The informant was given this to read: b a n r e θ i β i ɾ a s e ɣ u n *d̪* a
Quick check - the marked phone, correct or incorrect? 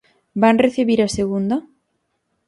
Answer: correct